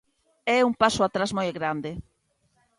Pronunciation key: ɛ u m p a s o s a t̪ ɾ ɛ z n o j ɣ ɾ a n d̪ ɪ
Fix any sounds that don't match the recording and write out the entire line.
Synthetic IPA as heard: ɛ u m p a s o a t̪ ɾ a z m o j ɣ ɾ a n d̪ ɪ